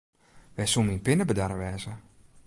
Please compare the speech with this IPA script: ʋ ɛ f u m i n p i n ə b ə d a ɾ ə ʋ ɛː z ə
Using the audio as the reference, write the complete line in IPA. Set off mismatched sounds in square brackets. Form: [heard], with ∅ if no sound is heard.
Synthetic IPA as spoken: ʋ ɛ [s] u m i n p [ɪ] n ə b ə d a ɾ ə ʋ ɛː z ə